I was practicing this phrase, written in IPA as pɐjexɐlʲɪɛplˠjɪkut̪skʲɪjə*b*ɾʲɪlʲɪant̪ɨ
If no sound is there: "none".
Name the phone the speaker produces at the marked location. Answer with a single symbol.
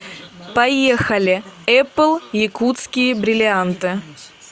b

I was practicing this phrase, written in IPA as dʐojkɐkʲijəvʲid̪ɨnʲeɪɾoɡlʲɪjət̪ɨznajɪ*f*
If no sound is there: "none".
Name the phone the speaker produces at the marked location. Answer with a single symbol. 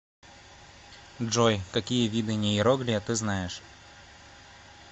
ʂ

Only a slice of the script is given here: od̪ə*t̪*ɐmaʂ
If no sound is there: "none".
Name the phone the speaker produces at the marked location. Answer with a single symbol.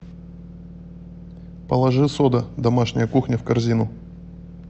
d̪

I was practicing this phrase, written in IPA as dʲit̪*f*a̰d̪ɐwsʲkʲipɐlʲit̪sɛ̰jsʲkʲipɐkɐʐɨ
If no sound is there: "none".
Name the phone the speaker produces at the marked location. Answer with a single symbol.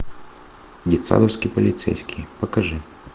s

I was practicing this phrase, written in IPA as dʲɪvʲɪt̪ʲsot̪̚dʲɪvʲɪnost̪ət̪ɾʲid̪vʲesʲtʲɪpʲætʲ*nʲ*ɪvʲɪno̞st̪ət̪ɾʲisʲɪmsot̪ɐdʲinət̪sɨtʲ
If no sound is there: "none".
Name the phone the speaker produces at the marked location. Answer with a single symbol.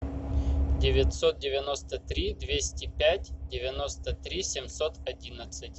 dʲ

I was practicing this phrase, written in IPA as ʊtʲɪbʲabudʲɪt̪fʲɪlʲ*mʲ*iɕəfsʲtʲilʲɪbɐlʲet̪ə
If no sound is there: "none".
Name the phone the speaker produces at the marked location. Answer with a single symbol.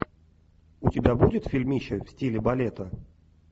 mʲ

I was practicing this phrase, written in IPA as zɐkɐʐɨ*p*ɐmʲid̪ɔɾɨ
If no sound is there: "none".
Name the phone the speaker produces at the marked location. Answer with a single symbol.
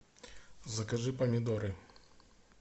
p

